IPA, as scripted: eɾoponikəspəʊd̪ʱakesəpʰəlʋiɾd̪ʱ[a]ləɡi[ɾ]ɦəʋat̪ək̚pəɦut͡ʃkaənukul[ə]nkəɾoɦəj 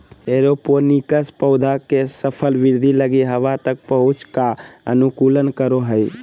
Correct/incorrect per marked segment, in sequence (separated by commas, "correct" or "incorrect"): incorrect, incorrect, correct